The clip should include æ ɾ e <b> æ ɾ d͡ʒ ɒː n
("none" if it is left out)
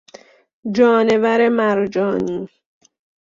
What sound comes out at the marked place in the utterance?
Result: m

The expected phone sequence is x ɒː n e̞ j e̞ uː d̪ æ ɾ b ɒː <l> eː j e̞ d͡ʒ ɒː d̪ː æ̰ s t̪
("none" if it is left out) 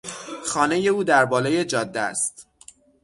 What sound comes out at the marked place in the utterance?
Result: l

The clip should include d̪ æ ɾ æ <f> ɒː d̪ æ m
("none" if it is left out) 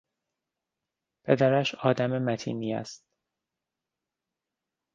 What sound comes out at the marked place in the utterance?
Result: ʃ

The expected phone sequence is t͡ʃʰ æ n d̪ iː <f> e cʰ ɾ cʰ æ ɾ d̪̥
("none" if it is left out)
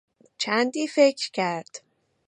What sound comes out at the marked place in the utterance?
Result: f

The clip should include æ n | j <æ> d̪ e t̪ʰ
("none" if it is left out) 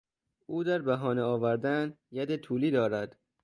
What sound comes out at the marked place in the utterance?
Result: æ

